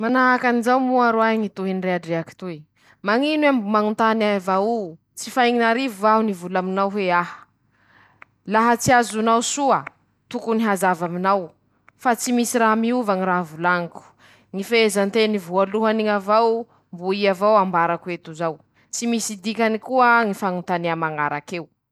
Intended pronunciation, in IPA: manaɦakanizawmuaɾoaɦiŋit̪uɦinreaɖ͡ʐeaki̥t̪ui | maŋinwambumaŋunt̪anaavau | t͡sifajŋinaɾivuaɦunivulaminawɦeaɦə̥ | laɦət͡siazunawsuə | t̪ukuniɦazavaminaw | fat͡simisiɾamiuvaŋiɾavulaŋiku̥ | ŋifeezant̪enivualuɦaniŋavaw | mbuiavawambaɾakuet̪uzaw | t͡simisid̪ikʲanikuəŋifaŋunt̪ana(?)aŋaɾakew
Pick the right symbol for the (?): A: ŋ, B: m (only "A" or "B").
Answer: B